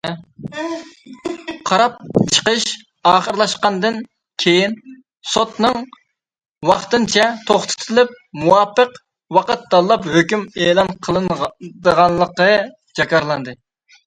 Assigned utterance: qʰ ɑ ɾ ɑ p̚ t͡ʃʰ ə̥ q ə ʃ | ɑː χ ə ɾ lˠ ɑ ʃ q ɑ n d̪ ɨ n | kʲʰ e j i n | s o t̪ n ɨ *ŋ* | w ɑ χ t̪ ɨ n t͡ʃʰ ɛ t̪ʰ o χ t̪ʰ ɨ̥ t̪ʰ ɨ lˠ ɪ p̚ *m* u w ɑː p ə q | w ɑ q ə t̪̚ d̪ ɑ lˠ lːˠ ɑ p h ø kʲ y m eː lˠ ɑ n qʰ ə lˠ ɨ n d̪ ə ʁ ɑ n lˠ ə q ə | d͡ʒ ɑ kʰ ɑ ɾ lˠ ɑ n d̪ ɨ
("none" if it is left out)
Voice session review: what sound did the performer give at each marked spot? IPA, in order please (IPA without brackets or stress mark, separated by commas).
ŋ, m